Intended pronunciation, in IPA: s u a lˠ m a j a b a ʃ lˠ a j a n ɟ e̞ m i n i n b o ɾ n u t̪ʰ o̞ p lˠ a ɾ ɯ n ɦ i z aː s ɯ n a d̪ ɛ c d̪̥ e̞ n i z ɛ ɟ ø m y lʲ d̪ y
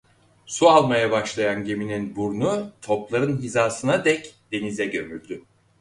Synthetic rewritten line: s u a lˠ m a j a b a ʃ lˠ a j a n ɟ e̞ m i n i n b u ɾ n u t̪ʰ o̞ p lˠ a ɾ ɯ n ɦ i z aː s ɯ n a d̪ ɛ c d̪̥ e̞ n i z ɛ ɟ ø m y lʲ d̪ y

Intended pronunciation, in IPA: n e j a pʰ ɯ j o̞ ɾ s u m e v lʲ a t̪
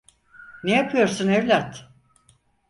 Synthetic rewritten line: n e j a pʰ ɯ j o̞ ɾ s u n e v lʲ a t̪

